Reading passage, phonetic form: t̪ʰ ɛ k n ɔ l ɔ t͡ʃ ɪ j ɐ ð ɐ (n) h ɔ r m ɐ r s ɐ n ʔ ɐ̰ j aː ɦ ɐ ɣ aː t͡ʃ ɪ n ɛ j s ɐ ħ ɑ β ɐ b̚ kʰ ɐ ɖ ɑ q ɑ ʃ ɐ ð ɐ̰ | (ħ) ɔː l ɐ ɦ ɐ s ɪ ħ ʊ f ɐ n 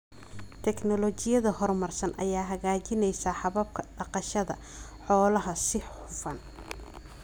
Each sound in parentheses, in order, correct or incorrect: incorrect: none, correct

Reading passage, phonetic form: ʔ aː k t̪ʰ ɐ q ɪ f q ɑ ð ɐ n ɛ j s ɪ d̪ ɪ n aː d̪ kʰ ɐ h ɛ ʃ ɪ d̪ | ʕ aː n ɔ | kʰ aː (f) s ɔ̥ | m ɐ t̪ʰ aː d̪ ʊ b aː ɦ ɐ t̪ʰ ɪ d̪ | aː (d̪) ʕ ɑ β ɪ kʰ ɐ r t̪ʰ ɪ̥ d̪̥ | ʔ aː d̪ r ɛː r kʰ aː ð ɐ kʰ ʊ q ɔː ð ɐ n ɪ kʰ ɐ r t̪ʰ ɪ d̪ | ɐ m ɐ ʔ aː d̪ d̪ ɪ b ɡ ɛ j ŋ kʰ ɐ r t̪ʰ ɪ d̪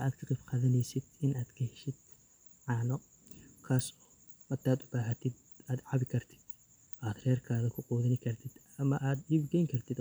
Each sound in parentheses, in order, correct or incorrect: incorrect: none, correct

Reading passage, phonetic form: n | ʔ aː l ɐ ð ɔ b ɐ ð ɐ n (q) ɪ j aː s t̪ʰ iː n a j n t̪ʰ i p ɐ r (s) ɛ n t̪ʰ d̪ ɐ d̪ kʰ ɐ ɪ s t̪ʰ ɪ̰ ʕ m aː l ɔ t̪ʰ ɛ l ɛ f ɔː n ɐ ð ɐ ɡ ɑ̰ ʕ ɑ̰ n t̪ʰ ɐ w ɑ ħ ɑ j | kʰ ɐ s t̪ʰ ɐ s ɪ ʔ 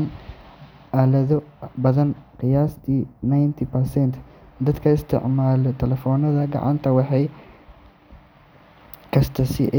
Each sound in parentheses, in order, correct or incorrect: correct, correct

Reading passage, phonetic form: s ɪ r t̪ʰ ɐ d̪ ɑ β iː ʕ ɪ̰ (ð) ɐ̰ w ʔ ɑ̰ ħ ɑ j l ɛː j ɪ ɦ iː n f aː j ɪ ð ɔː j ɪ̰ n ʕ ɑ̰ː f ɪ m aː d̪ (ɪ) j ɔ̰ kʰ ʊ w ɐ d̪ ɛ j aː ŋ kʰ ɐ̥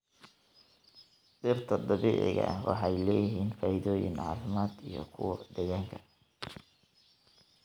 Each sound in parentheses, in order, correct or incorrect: incorrect: ɣ, incorrect: i

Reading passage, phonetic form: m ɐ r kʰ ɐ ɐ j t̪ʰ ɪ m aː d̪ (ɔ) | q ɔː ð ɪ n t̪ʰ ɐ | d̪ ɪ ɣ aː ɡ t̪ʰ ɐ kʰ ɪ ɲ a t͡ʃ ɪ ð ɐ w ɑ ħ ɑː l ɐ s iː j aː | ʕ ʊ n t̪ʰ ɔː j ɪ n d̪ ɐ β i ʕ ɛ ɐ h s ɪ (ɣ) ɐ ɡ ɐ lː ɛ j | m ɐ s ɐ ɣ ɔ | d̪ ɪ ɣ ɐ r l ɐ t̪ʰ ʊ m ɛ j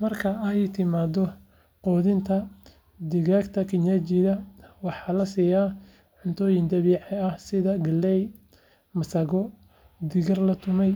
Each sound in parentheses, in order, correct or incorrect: correct, incorrect: ð

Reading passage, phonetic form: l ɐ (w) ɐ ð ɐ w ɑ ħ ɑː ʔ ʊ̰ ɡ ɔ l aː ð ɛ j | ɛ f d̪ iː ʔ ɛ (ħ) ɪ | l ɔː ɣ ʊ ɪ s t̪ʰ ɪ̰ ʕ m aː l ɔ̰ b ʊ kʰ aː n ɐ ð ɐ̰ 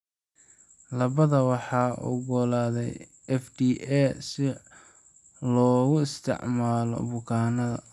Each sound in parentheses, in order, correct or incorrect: incorrect: β, incorrect: s

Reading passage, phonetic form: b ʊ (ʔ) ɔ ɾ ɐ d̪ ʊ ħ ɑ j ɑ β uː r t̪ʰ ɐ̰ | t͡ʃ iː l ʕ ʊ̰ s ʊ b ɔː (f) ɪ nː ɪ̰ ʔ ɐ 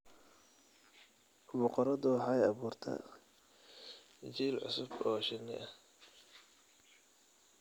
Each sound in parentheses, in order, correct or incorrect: incorrect: q, incorrect: ʃ

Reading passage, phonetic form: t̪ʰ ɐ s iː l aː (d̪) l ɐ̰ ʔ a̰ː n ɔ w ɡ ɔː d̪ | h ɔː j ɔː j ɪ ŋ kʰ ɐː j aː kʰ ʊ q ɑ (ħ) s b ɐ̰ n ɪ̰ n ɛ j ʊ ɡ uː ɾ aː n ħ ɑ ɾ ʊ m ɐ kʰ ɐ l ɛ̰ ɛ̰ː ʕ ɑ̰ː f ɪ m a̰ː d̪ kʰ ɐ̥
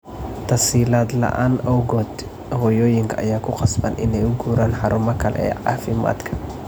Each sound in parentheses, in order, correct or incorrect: correct, incorrect: none

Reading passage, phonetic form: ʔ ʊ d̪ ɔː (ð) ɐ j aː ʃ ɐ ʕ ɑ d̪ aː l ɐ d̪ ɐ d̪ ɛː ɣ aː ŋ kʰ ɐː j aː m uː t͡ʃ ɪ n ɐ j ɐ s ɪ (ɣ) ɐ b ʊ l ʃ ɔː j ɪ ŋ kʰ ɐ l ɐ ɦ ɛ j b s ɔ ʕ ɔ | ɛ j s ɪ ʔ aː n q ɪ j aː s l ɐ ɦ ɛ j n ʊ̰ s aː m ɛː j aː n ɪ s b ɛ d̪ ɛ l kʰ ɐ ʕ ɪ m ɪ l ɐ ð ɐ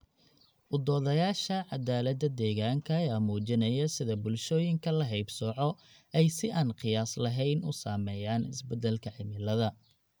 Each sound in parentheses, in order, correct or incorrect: correct, incorrect: ð

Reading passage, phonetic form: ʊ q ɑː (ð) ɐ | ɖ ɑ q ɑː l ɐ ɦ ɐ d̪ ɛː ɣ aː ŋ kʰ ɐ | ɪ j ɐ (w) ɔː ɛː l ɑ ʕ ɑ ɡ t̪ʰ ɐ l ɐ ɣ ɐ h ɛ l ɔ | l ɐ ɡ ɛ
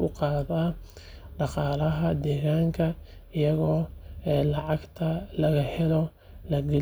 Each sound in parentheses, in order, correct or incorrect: correct, incorrect: ɣ

